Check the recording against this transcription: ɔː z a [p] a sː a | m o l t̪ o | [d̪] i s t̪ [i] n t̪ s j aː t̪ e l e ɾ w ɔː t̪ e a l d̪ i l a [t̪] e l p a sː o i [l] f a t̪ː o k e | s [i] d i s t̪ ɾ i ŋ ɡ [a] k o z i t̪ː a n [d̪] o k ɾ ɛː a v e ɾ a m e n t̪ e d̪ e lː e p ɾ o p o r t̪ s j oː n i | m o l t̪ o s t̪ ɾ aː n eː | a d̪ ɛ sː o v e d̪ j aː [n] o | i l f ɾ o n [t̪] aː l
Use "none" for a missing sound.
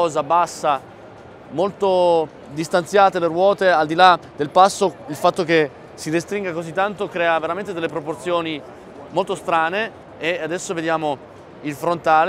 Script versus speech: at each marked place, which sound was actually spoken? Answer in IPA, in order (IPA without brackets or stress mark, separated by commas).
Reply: b, d̪, a, d̪, l, i, a, t̪, m, t̪